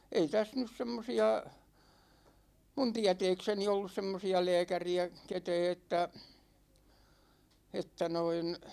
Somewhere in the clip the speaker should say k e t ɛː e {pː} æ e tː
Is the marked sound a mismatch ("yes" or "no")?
yes